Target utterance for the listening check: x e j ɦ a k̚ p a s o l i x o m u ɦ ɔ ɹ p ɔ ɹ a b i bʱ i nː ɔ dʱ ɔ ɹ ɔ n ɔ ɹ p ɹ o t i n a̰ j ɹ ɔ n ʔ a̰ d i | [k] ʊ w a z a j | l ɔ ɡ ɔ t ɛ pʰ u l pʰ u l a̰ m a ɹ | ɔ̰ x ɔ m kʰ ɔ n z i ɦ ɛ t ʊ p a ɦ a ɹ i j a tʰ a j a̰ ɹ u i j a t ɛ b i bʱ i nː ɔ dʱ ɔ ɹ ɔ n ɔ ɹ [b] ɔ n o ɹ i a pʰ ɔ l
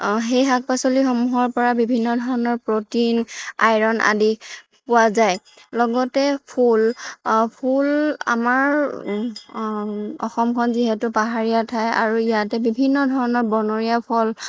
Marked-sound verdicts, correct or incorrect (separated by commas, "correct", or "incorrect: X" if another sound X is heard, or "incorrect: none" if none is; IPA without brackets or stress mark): incorrect: p, correct